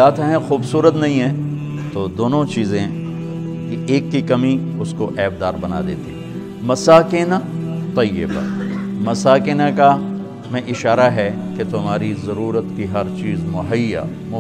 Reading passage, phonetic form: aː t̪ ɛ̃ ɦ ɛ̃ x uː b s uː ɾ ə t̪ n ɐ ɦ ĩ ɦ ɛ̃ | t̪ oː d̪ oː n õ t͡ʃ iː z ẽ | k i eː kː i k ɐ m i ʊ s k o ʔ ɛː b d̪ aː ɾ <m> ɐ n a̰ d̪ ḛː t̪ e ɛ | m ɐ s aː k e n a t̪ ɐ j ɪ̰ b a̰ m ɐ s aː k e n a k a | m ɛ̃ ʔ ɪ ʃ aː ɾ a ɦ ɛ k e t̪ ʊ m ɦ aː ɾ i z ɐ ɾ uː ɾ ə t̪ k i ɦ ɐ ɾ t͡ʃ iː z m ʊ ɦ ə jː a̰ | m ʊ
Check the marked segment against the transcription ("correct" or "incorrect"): incorrect